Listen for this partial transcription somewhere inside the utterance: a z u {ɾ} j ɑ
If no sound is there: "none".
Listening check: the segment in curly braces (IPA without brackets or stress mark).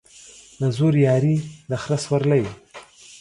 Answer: ɾ